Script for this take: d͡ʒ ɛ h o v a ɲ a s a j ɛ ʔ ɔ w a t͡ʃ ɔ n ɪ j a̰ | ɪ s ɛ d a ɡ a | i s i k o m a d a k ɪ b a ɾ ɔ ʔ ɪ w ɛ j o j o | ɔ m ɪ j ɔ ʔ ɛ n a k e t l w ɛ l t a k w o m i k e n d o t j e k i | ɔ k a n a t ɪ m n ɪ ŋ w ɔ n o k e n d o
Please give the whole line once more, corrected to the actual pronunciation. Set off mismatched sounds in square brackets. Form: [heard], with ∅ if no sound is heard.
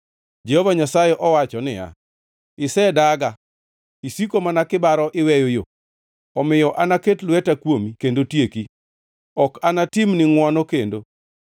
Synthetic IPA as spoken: d͡ʒ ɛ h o v a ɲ a s a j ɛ ʔ ɔ w a t͡ʃ ɔ n ɪ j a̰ | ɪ s ɛ d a ɡ a | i s i k o m a [n] a k ɪ b a ɾ ɔ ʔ ɪ w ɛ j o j o | ɔ m ɪ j ɔ ʔ [a] n a k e t l w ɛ [∅] t a k w o m i k e n d o t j e k i | ɔ k a n a t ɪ m n ɪ ŋ w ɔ n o k e n d o